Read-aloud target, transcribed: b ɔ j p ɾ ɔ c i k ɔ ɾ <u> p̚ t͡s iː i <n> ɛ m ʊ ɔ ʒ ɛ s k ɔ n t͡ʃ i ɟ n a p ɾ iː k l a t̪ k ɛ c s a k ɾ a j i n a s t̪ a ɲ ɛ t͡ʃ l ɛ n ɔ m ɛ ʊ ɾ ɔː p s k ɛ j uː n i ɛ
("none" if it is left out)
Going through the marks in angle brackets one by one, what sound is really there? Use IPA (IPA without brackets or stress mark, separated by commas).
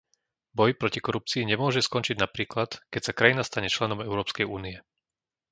u, ɲ